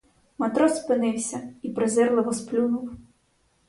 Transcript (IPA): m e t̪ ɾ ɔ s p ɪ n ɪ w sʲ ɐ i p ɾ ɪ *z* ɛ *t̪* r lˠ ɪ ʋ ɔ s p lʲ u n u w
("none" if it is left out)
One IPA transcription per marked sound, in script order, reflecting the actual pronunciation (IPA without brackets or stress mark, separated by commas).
z, none